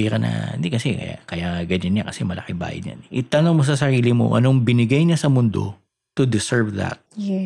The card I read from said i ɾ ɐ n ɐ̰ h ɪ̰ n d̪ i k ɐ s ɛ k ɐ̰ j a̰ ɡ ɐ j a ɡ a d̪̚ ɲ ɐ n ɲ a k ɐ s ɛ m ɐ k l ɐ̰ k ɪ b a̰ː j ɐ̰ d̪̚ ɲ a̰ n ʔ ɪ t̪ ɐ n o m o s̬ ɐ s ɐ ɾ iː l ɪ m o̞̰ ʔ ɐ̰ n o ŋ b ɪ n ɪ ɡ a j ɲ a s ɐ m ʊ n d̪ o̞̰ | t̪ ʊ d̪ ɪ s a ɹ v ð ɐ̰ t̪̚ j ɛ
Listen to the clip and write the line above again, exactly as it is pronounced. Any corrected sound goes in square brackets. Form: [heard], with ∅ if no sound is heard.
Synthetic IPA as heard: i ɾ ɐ n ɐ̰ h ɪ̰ n d̪ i k ɐ s ɛ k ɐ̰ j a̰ [k] ɐ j a ɡ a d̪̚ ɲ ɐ n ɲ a k ɐ s ɛ m ɐ [∅] l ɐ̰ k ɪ b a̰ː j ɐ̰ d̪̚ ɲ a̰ n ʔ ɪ t̪ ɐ n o m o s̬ ɐ s ɐ ɾ iː l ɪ m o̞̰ ʔ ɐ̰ n o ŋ b ɪ n ɪ ɡ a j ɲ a s ɐ m ʊ n d̪ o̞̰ | t̪ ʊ d̪ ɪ s [ɛ] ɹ v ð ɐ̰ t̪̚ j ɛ